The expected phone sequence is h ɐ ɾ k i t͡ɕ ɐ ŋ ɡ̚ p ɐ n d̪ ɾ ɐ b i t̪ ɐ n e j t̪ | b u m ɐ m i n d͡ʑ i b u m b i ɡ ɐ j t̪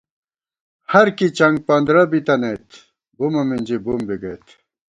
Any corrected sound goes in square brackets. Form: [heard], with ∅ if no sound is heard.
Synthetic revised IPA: h ɐ ɾ k i t͡ɕ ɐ ŋ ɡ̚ p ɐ n d̪ ɾ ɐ b i t̪ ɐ n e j t̪ | b u m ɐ m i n d͡ʑ i b u m b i ɡ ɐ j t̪

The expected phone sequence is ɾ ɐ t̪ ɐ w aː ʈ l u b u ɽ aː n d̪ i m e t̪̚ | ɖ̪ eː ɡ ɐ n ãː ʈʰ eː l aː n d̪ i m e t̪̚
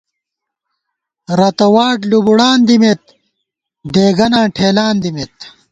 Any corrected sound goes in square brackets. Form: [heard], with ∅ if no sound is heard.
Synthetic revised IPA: ɾ ɐ t̪ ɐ w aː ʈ l u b u ɽ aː n d̪ i m e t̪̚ | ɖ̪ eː ɡ ɐ n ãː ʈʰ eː l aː n d̪ i m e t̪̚

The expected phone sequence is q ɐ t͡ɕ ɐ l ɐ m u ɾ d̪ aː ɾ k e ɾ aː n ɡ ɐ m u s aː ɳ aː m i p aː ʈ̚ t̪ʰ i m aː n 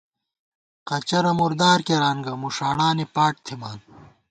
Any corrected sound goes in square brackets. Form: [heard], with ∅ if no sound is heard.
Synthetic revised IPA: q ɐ t͡ɕ ɐ [ɾ] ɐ m u ɾ d̪ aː ɾ k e ɾ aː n ɡ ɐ m u [ʂ] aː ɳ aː [n] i p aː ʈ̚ t̪ʰ i m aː n

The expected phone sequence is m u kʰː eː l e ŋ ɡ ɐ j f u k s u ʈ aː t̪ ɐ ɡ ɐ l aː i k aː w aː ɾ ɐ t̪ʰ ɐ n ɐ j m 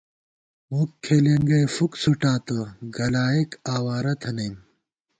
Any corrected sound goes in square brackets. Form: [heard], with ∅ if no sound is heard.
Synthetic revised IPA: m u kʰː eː l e ŋ ɡ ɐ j f u k s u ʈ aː t̪ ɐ ɡ ɐ l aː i k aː w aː ɾ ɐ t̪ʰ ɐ n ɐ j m

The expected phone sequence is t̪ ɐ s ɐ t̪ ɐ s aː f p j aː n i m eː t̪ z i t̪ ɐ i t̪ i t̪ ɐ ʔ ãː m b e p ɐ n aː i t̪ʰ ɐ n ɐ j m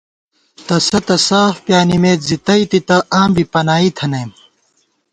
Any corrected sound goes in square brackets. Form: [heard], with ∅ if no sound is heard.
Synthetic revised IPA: t̪ ɐ s ɐ t̪ ɐ s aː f p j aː n i m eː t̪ z i t̪ ɐ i t̪ i t̪ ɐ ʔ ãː m b [i] p ɐ n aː i t̪ʰ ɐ n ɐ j m

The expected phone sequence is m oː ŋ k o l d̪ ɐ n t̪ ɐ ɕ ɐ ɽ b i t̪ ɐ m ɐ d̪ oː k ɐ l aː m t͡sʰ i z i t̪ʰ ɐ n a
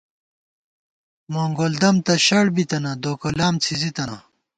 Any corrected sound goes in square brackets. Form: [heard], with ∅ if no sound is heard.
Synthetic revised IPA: m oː ŋ [ɡ] o l d̪ ɐ [m] t̪ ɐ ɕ ɐ ɽ b i t̪ ɐ [n] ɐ d̪ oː k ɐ l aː m t͡sʰ i z i [t̪] ɐ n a

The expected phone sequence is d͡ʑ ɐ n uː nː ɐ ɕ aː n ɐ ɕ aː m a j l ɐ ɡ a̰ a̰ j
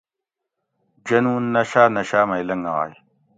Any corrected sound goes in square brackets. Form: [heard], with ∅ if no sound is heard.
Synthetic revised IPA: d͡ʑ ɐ n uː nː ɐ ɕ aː n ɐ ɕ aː m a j l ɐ [ŋ] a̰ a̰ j

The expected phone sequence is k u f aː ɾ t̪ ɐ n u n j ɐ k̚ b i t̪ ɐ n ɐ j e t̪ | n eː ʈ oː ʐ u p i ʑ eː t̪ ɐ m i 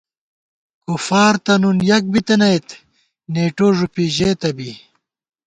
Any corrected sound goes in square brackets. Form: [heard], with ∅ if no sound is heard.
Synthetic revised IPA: k u f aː ɾ t̪ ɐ n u n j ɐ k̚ b i t̪ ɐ n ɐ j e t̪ | n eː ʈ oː ʐ u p i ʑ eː t̪ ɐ [b] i

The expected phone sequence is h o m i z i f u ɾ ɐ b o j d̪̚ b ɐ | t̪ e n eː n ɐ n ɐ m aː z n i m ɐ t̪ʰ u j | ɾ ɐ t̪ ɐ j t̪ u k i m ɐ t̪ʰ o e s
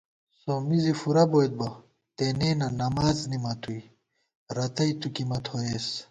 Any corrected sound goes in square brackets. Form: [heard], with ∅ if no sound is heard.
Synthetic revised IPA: [s] o m i z i f u ɾ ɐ b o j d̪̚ b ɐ | t̪ e n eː n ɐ n ɐ m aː z n i m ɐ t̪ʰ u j | ɾ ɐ t̪ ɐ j t̪ u k i m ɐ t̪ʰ o e s

